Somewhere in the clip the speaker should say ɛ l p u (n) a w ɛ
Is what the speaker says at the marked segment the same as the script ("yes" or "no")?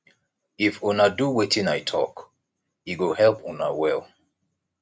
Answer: yes